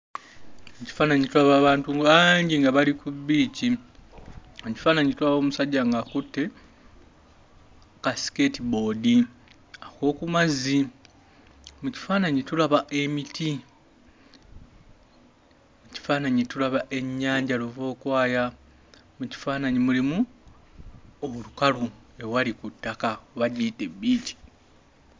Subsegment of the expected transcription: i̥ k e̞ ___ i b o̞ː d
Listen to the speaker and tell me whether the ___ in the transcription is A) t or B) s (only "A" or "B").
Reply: A